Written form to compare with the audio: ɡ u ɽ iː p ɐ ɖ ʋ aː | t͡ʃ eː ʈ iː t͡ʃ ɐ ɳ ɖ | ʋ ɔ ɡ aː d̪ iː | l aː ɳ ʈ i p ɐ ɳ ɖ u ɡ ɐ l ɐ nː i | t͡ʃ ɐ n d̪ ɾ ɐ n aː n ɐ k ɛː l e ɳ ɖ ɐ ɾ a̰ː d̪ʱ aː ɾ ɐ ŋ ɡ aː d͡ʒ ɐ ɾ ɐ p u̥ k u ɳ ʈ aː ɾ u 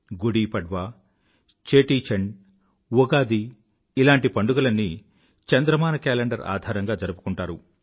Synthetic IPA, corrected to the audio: ɡ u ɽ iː p ɐ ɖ ʋ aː | t͡ʃ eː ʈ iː t͡ʃ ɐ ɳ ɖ | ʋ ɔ ɡ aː d̪ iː | l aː ɳ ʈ i p ɐ ɳ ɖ u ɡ ɐ l ɐ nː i | t͡ʃ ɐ n d̪ ɾ ɐ m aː n ɐ k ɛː l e ɳ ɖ ɐ ɾ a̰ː d̪ʱ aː ɾ ɐ ŋ ɡ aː d͡ʒ ɐ ɾ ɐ p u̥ k u ɳ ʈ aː ɾ u